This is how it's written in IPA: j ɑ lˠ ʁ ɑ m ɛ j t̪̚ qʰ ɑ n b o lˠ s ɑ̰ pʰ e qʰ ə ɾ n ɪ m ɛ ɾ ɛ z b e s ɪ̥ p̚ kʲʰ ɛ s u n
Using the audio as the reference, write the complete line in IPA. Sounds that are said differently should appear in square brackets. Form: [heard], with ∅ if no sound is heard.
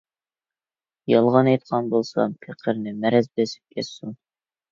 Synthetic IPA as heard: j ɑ lˠ ʁ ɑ [n] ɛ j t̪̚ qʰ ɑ n b o lˠ s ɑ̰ pʰ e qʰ ə ɾ n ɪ m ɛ ɾ ɛ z b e s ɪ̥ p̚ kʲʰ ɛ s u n